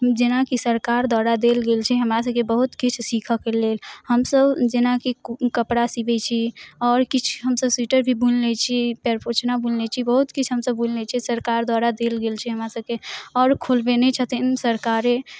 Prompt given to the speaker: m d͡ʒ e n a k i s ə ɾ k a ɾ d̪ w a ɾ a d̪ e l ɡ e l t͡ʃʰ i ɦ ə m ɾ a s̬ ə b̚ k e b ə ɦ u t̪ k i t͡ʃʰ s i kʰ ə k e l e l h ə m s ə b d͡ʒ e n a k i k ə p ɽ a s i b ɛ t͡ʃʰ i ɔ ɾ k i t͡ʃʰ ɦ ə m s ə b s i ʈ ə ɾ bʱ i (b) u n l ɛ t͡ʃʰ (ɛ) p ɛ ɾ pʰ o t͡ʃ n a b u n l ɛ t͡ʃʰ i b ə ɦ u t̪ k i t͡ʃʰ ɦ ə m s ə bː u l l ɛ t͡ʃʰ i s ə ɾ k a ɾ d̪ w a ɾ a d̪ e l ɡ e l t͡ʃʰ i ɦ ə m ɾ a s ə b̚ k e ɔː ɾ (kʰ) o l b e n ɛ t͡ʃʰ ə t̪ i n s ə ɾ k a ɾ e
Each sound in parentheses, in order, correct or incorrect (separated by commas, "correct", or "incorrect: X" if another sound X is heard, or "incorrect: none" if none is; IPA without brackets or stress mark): correct, incorrect: i, correct